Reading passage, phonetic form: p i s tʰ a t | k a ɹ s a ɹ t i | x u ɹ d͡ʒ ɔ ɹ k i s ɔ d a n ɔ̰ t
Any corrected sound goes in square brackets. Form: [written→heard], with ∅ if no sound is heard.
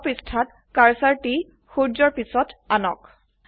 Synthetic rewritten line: p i s tʰ a t | k a ɹ s a ɹ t i | x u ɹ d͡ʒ ɔ ɹ [k→p] i s ɔ [d→t] a n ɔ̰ [t→k]